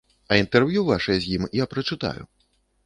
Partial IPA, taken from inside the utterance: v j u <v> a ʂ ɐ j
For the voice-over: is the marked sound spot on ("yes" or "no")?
yes